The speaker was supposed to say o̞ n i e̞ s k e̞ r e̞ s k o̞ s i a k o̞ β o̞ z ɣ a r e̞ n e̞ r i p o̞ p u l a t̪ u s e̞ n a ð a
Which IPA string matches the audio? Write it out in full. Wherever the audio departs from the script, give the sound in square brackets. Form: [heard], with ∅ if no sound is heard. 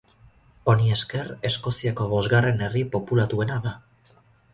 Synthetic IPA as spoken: o̞ n i e̞ s k e̞ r e̞ s k o̞ s i a k o̞ β o̞ z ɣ a r e̞ n e̞ r i p o̞ p u l a t̪ u [∅] e̞ n a ð a